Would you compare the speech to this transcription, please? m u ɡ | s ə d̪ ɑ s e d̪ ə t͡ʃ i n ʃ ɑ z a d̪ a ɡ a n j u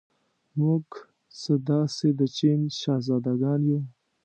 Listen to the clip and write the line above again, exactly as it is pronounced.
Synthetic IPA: m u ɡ | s ə d̪ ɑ s e d̪ ə t͡ʃ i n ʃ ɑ z ɑ d̪ a ɡ ɑ n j u